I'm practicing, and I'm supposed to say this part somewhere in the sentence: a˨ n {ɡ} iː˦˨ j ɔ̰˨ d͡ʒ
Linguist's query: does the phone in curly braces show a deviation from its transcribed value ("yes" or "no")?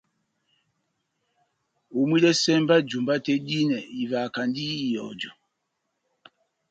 yes